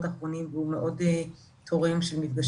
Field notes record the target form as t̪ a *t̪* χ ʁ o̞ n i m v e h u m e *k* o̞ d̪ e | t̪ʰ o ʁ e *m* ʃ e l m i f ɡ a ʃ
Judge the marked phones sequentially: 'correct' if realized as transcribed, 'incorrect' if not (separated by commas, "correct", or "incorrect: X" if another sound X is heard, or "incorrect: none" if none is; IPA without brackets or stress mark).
incorrect: none, incorrect: ʔ, correct